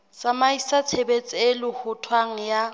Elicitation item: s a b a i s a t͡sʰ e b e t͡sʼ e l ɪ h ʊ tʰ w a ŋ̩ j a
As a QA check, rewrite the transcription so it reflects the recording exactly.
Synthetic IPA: s a m a i s a t͡sʰ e b e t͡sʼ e l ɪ h ʊ tʰ w a ŋ̩ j a